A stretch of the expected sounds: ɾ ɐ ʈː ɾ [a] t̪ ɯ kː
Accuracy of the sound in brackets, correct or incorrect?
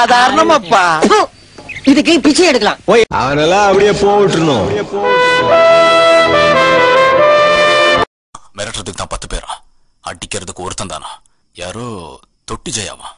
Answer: incorrect